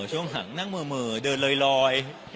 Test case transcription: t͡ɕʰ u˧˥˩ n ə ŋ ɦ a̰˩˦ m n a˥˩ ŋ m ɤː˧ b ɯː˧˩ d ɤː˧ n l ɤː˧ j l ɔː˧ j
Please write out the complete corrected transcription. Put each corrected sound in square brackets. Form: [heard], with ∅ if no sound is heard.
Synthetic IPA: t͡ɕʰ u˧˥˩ [∅] ə ŋ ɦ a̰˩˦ [ŋ] n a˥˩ ŋ m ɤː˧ [m] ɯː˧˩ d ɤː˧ n l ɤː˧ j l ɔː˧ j